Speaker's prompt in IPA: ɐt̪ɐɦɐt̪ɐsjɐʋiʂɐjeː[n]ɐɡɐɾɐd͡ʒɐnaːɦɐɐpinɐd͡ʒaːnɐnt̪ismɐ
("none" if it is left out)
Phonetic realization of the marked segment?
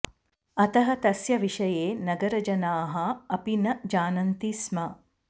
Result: n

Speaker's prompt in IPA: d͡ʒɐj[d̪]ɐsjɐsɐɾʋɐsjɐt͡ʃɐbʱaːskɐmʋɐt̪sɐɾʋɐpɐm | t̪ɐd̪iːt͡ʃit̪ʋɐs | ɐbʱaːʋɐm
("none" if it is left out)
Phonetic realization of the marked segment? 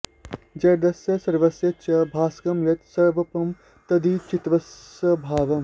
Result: d̪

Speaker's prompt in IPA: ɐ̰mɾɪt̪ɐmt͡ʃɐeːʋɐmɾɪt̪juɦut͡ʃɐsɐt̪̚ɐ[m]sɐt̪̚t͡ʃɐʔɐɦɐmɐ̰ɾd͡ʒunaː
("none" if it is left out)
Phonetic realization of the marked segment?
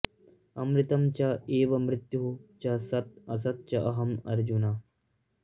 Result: none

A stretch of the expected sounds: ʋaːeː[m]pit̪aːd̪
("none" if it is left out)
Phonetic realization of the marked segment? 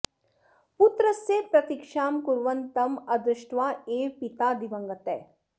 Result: none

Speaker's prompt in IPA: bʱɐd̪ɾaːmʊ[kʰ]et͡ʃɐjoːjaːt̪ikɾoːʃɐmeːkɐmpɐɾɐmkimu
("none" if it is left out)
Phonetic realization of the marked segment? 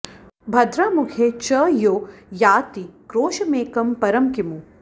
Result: kʰ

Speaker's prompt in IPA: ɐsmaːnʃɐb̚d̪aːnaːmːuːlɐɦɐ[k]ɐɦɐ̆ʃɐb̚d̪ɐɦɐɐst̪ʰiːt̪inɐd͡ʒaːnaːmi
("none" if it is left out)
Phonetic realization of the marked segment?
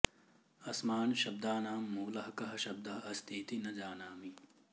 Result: k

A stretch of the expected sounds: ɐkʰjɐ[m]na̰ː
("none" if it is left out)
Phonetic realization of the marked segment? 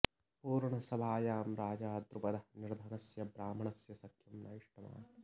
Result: m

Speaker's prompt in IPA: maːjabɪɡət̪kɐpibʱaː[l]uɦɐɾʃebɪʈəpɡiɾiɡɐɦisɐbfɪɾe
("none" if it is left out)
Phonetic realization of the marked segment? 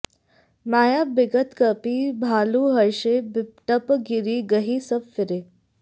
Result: l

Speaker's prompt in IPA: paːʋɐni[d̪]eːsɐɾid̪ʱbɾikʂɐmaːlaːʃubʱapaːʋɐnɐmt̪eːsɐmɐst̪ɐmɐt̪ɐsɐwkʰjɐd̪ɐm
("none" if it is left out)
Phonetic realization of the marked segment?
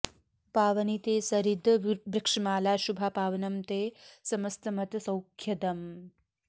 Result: t̪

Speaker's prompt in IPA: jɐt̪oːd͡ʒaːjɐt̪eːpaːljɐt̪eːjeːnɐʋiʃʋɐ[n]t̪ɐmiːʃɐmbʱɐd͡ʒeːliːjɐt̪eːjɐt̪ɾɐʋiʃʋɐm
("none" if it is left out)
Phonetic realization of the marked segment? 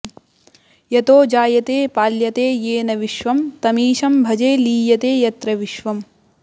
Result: m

